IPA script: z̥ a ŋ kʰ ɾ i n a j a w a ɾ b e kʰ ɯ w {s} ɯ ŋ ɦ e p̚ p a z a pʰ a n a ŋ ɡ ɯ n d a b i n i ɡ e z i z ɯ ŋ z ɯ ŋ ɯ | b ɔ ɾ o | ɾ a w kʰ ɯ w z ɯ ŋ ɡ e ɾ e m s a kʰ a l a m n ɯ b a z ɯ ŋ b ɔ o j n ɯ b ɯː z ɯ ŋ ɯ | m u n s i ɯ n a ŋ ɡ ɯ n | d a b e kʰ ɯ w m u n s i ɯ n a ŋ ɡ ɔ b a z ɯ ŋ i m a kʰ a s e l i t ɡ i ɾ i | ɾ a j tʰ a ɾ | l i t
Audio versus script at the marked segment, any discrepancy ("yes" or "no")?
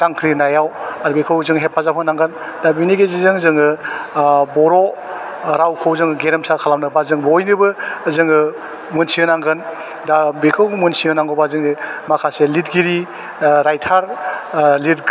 yes